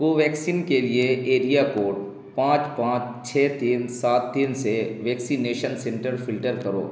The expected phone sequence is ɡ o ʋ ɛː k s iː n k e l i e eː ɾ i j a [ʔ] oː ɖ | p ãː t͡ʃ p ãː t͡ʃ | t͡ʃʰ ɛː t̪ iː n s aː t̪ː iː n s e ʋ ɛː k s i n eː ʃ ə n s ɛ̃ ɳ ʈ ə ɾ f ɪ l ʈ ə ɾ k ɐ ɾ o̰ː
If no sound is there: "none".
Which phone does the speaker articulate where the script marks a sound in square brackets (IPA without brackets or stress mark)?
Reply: k